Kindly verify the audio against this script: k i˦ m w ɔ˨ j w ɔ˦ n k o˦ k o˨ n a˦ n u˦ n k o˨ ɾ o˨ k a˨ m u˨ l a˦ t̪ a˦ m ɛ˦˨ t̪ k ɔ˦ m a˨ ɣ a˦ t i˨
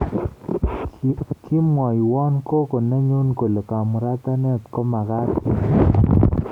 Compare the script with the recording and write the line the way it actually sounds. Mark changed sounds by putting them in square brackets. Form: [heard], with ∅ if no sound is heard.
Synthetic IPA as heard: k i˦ m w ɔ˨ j w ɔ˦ n k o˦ k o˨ n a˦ [ɲ] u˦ n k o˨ [l] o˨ k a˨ m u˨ [ɾ] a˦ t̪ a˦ [n] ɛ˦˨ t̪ k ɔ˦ m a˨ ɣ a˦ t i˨